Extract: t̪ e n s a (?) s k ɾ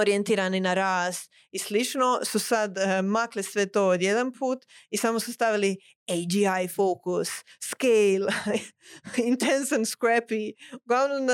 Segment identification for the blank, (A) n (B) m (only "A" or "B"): A